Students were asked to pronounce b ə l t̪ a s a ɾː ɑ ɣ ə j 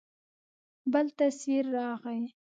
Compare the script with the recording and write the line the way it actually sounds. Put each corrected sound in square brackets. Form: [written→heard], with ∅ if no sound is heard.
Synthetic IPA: b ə l t̪ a s [a→i] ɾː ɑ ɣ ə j

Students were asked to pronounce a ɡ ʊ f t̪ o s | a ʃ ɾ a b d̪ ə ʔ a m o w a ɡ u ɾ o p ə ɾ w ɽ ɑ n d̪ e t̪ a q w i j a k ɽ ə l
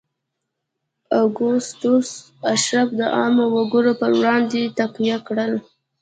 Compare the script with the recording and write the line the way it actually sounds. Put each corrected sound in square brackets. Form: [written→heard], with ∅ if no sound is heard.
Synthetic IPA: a ɡ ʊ [f→s] t̪ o s | a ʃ ɾ a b d̪ ə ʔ [a→ɑ] m o w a ɡ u ɾ o p ə ɾ w ɽ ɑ n d̪ e t̪ a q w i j a k ɽ ə l

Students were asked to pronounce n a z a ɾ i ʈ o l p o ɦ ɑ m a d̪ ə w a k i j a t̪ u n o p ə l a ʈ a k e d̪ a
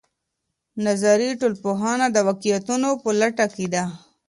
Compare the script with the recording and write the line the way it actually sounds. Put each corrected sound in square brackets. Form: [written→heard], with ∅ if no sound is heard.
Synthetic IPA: n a z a ɾ i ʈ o l p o ɦ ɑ [m→n] a d̪ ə w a k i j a t̪ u n o p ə l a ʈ a k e d̪ a

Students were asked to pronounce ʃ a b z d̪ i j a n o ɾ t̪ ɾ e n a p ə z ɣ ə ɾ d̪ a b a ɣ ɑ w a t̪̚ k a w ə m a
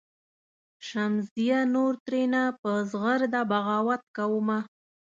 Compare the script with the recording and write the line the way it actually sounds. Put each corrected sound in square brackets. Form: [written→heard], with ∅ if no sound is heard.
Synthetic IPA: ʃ a [b→m] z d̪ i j a n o ɾ t̪ ɾ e n a p ə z ɣ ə ɾ d̪ a b a ɣ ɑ w a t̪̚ k a w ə m a

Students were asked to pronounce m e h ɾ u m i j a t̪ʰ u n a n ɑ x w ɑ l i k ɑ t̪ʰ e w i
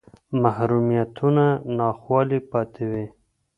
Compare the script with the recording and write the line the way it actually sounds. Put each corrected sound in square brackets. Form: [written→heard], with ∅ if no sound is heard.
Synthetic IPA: m [e→a] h ɾ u m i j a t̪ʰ u n a n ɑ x w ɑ l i [k→p] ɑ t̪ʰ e w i

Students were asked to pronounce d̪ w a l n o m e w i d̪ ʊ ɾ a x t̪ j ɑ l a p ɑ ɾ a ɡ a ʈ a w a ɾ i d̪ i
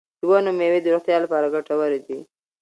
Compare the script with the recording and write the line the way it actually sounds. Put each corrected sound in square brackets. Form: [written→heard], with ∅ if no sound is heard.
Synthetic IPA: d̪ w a [l→∅] n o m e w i d̪ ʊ ɾ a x t̪ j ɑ l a p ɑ ɾ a ɡ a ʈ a w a ɾ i d̪ i

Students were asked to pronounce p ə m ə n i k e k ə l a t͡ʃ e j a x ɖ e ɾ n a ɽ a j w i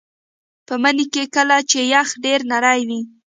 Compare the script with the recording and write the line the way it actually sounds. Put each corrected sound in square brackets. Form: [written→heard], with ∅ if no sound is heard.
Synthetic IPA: p ə m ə n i k e k ə l a t͡ʃ e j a x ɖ e ɾ n a [ɽ→ɾ] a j w i

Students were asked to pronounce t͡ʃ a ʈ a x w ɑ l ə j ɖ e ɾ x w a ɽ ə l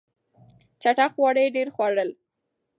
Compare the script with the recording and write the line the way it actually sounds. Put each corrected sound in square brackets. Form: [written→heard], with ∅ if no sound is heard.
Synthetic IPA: t͡ʃ a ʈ a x w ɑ [l→ɽ] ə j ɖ e ɾ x w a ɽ ə l

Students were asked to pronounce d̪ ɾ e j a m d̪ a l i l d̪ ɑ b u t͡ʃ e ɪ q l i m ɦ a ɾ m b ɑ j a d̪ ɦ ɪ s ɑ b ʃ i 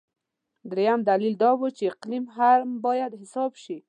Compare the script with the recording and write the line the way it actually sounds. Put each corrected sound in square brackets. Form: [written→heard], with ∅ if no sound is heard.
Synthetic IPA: d̪ ɾ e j a m d̪ a l i l d̪ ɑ [b→w] u t͡ʃ e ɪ q l i m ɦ a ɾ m b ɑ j a d̪ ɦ ɪ s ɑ b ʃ i

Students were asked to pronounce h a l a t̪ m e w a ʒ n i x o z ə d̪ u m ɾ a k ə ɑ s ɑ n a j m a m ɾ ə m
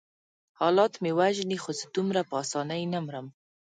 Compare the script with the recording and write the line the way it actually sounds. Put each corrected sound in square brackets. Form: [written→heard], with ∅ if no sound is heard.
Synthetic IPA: h [a→ɑ] l [a→ɑ] t̪ m e w a ʒ n i x o z ə d̪ u m ɾ a [k→p] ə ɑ s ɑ n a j [m→n] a m ɾ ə m

